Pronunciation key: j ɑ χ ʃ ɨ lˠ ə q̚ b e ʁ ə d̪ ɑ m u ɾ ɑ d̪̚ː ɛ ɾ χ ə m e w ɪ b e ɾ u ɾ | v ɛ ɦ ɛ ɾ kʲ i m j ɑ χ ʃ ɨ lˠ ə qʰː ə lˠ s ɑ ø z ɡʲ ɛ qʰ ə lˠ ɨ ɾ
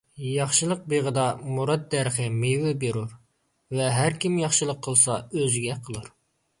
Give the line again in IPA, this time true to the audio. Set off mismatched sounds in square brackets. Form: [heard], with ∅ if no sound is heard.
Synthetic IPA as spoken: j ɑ χ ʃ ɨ lˠ ə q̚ b e ʁ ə d̪ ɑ m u ɾ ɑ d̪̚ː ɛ ɾ χ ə m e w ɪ b e ɾ u ɾ | v ɛ ɦ [æ] ɾ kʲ i m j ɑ χ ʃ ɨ lˠ ə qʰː ə lˠ s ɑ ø z ɡʲ ɛ qʰ ə lˠ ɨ ɾ